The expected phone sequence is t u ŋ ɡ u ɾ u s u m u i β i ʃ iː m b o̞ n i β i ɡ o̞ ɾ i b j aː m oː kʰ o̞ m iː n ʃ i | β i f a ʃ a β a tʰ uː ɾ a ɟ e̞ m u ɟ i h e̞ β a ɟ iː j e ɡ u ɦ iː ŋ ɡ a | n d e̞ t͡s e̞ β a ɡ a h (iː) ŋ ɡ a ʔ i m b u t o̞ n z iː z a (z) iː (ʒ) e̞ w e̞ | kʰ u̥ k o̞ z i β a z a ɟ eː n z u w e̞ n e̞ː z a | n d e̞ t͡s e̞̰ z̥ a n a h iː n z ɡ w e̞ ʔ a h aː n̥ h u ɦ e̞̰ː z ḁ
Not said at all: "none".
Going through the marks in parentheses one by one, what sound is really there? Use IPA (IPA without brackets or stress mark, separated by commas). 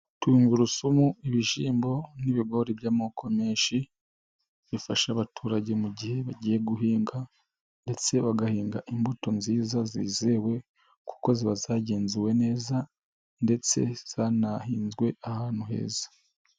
iː, z, z